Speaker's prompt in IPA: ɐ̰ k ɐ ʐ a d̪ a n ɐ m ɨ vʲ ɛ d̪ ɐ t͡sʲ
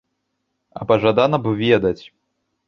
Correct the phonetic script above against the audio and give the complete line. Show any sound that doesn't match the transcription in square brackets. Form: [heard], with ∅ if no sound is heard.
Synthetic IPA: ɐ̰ [p] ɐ ʐ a d̪ a n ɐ [b] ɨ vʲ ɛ d̪ ɐ t͡sʲ

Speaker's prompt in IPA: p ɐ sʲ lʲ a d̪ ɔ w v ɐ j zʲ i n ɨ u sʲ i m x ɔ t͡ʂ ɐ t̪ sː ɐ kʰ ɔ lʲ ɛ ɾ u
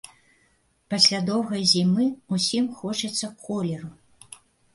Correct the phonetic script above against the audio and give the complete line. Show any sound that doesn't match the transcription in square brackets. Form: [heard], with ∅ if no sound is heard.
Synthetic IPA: p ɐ sʲ lʲ a d̪ ɔ w [ɣ] ɐ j zʲ i [m] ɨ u sʲ i m x ɔ t͡ʂ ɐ t̪ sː ɐ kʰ ɔ lʲ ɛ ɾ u

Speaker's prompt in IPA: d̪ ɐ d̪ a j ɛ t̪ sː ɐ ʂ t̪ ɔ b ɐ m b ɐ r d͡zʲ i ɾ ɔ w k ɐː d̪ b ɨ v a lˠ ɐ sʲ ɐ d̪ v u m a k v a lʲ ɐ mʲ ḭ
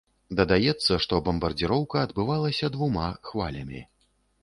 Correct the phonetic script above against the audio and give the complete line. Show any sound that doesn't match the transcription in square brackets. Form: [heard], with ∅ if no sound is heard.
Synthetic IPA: d̪ ɐ d̪ a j ɛ t̪ sː ɐ ʂ t̪ ɔ b ɐ m b ɐ r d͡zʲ i ɾ ɔ w k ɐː d̪ b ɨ v a lˠ ɐ sʲ ɐ d̪ v u m a [x] v a lʲ ɐ mʲ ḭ

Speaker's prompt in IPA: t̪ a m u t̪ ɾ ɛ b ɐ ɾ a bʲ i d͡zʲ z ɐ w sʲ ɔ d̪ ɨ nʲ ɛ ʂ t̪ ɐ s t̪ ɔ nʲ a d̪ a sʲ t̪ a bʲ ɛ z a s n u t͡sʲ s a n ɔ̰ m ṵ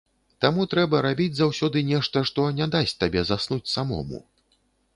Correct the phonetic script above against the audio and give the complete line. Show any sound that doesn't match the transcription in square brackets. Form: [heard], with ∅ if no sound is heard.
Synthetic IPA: t̪ a m u t̪ ɾ ɛ b ɐ ɾ a bʲ i d͡zʲ z [a] w sʲ ɔ d̪ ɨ nʲ ɛ ʂ t̪ ɐ [ʂ] t̪ ɔ nʲ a d̪ a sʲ t̪ a bʲ ɛ z a s n u t͡sʲ s a [m] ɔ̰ m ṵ

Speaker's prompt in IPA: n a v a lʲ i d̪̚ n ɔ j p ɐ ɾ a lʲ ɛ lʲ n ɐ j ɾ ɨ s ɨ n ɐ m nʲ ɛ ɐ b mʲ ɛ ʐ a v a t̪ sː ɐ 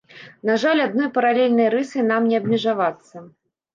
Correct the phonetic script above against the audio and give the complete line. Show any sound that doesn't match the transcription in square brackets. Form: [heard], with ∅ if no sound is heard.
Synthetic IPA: n a [ʐ] a lʲ [a] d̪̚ n ɔ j p ɐ ɾ a lʲ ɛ lʲ n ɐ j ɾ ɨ s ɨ n [a] m nʲ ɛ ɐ b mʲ ɛ ʐ a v a t̪ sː ɐ

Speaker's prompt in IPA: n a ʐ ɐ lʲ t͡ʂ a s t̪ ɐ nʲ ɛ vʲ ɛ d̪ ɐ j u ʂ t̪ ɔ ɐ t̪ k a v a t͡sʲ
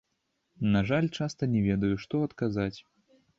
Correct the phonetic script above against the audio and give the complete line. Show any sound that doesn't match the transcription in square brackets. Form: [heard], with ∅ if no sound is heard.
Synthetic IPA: n a ʐ [a] lʲ t͡ʂ a s t̪ ɐ nʲ ɛ vʲ ɛ d̪ ɐ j u ʂ t̪ ɔ ɐ t̪ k a [z] a t͡sʲ

